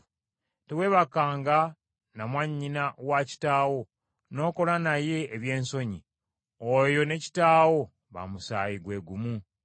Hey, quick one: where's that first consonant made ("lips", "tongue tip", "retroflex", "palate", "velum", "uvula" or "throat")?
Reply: tongue tip